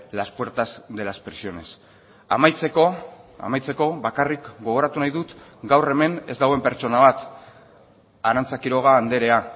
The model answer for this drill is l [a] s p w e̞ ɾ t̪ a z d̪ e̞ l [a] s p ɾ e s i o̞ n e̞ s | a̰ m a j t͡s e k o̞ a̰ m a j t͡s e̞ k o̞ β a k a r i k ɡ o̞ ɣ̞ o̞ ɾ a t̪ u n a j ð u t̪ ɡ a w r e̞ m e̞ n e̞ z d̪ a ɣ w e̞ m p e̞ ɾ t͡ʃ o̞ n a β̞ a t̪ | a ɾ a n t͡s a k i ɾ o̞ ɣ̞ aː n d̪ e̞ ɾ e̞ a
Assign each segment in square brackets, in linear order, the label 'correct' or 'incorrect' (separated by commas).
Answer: correct, correct